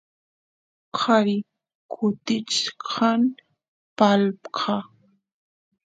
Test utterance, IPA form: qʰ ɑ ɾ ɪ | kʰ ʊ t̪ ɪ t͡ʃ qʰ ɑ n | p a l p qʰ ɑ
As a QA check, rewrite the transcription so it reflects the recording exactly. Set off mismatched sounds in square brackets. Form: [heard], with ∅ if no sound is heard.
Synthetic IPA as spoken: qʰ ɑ ɾ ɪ | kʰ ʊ t̪ ɪ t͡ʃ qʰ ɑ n | p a l p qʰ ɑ